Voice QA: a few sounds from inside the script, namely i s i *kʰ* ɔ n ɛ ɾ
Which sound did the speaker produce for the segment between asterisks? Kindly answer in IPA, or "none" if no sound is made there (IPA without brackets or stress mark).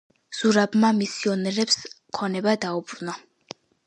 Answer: none